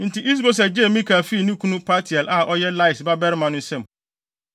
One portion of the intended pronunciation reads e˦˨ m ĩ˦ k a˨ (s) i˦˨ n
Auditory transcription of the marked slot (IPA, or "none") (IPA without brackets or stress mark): f